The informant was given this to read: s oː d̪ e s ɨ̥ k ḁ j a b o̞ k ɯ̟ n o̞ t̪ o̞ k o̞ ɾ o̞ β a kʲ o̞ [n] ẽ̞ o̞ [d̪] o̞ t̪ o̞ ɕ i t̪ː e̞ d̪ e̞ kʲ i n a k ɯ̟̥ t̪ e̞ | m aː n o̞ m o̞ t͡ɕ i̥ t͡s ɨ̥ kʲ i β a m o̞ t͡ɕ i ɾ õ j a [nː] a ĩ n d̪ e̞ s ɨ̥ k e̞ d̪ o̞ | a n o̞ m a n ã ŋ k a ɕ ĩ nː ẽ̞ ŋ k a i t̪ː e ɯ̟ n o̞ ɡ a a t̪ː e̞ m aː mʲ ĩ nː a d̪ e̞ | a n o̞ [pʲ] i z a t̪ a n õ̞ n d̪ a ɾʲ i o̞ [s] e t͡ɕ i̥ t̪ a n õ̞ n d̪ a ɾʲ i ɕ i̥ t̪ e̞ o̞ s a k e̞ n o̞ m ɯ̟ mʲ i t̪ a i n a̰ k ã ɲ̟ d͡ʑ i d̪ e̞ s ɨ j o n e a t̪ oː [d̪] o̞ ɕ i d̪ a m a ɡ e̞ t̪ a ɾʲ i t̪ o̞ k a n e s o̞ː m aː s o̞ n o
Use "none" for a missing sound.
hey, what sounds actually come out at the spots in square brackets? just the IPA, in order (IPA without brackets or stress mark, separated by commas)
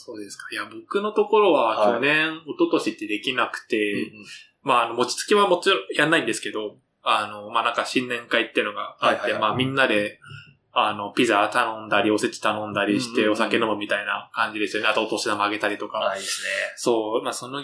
n, t̪, nː, pʲ, s, t̪